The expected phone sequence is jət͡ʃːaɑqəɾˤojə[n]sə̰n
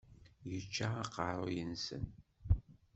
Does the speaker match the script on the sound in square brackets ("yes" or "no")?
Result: yes